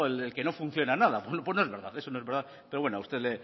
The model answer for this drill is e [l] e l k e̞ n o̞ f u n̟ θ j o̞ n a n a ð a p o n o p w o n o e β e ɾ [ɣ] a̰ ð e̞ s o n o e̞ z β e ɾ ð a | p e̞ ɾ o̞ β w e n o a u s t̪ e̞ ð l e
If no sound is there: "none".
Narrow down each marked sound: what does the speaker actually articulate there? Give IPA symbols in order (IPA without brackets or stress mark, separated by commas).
l, ð